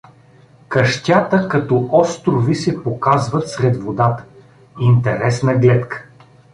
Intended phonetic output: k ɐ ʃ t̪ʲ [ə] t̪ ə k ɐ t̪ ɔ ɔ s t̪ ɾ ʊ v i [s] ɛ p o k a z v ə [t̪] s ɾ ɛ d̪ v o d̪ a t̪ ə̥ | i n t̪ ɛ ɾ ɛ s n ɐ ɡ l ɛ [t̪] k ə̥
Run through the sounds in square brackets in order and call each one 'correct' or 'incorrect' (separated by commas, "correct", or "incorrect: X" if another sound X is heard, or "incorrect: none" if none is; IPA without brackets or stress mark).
incorrect: a, correct, correct, correct